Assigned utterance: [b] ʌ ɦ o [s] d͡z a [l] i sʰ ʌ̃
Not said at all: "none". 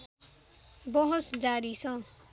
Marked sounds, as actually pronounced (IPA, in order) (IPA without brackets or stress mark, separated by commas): b, s, ɾ